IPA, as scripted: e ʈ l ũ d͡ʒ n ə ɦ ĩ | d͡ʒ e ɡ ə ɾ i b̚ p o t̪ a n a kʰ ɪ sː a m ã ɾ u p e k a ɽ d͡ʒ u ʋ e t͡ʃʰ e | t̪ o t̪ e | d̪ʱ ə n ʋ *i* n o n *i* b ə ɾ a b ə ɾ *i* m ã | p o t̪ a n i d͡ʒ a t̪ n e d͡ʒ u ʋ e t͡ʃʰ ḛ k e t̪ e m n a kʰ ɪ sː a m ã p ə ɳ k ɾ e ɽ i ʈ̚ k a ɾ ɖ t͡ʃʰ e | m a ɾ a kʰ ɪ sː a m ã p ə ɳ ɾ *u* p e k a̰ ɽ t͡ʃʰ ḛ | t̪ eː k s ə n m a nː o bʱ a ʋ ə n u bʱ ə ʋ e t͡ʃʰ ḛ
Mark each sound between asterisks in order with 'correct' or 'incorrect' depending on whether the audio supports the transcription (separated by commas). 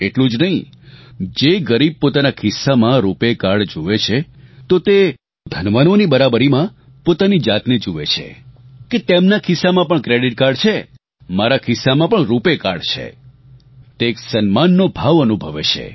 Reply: incorrect, correct, correct, correct